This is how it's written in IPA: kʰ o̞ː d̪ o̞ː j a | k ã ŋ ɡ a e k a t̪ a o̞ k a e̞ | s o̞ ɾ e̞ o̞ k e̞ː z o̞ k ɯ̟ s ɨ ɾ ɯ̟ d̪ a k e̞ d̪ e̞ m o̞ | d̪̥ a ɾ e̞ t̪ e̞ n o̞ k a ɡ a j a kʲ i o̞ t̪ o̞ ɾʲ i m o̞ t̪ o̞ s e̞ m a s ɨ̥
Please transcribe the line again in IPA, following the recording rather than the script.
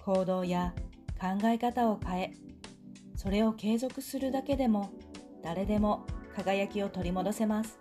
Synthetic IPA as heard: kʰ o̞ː d̪ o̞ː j a | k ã ŋ ɡ a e k a t̪ a o̞ k a e̞ | s o̞ ɾ e̞ o̞ k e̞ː z o̞ k ɯ̟ s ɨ ɾ ɯ̟ d̪ a k e̞ d̪ e̞ m o̞ | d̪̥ a ɾ e̞ d̪ e̞ m o̞ k a ɡ a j a kʲ i o̞ t̪ o̞ ɾʲ i m o̞ d̪ o̞ s e̞ m a s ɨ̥